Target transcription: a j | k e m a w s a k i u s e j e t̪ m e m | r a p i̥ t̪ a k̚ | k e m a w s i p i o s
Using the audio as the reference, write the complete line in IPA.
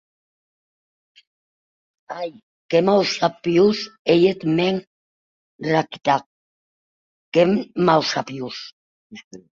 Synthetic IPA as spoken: a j | k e m a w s a p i u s e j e t̪ m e ŋ | r a k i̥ t̪ a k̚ | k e m a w s a p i u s